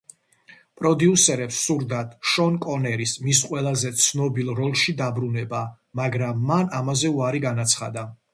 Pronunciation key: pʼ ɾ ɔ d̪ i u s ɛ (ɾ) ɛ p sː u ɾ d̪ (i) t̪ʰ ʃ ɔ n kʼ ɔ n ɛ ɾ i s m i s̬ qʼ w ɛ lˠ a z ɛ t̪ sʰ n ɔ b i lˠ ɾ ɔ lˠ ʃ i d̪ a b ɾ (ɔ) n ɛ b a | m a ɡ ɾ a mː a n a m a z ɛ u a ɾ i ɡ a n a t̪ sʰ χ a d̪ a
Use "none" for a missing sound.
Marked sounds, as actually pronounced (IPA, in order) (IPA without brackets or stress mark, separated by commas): ɾ, a, u